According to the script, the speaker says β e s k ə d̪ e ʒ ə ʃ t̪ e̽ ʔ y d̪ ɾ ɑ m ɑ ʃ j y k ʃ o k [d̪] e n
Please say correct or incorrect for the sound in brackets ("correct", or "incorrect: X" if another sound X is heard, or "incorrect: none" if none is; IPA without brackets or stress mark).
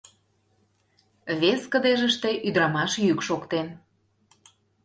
incorrect: t̪